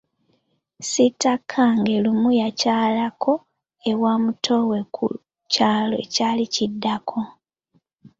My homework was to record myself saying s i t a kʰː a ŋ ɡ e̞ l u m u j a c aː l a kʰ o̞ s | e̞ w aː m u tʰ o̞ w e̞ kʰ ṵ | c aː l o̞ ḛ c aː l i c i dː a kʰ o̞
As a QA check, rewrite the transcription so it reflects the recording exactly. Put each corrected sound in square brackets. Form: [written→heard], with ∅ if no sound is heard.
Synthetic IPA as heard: s i t a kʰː a ŋ ɡ e̞ l u m u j a c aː l a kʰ o̞ [s→∅] | e̞ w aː m u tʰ o̞ w e̞ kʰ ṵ | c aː l o̞ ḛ c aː l i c i dː a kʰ o̞